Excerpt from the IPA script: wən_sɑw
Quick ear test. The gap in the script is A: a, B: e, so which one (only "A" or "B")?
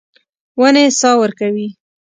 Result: B